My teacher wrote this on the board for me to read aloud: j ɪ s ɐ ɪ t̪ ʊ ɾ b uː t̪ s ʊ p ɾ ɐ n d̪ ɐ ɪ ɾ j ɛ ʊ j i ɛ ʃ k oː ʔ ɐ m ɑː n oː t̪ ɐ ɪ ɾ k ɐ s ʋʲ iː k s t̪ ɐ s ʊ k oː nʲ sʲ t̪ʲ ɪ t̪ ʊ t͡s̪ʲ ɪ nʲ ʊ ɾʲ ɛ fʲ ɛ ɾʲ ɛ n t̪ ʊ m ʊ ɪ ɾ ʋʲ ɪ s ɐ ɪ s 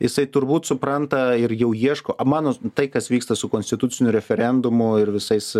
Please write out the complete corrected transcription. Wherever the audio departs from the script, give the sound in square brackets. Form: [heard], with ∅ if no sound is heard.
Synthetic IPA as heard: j ɪ s ɐ ɪ t̪ ʊ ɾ b uː t̪ s ʊ p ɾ ɐ n [t̪] ɐ ɪ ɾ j ɛ ʊ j i ɛ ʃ k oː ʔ ɐ m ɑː n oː t̪ ɐ ɪ [∅] k ɐ s ʋʲ iː k s t̪ ɐ s ʊ k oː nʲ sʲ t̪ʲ ɪ t̪ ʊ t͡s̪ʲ ɪ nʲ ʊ ɾʲ ɛ fʲ ɛ ɾʲ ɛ n [d̪] ʊ m ʊ ɪ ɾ ʋʲ ɪ s ɐ ɪ s